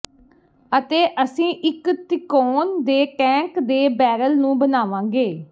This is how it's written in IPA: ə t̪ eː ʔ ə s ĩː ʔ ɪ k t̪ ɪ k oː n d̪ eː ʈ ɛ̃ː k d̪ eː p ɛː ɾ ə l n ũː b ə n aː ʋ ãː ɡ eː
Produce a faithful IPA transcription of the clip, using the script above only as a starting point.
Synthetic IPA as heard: ə t̪ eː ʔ ə s ĩː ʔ ɪ k t̪ ɪ k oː n d̪ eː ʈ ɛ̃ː k d̪ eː b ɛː ɾ ə l n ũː b ə n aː ʋ ãː ɡ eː